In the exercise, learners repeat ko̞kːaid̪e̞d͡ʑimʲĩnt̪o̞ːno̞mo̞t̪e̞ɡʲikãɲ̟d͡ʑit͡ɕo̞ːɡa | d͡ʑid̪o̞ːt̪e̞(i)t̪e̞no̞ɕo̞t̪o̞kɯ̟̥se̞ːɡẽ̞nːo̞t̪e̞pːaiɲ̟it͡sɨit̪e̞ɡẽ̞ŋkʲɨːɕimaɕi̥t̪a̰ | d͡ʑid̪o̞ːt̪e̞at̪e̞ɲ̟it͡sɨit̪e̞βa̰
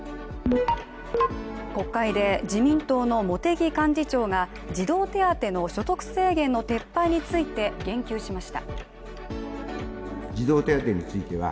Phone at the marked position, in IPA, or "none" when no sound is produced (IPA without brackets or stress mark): a